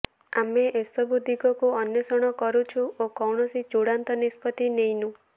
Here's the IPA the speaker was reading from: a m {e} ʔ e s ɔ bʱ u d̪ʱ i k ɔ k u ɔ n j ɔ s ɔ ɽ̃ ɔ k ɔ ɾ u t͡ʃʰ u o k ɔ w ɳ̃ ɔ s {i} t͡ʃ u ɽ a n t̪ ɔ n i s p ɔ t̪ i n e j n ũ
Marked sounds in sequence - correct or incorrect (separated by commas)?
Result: correct, correct